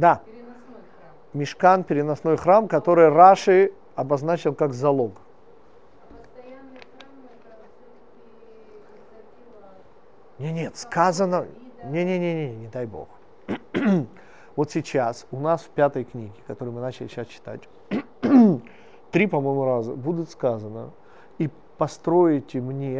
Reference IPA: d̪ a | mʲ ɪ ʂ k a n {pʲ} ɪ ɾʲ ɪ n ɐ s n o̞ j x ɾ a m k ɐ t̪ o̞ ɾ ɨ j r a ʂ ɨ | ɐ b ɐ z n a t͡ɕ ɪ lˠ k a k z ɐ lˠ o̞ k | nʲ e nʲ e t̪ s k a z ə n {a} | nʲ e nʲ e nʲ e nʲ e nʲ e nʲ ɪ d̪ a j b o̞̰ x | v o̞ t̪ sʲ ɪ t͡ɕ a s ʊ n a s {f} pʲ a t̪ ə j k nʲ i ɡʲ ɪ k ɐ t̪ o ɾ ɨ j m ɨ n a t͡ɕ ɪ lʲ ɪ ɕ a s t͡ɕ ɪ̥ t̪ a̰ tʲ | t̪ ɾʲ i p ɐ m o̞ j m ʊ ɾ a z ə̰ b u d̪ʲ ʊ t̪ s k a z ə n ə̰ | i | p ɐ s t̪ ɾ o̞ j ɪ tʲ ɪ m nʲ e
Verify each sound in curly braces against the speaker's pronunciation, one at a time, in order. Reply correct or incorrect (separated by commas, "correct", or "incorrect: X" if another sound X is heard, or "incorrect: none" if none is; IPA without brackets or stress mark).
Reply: correct, incorrect: ə, correct